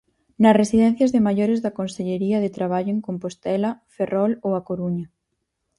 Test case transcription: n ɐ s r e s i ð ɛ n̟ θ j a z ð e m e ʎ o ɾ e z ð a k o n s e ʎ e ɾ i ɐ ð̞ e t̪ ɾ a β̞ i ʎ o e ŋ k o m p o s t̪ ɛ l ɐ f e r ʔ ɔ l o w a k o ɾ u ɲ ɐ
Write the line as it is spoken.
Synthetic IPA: n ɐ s r e s i ð ɛ n̟ θ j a z ð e m a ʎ o ɾ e z ð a k o n s e ʎ e ɾ i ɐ ð̞ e t̪ ɾ a β̞ a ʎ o e ŋ k o m p o s t̪ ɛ l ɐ f e r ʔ ɔ l o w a k o ɾ u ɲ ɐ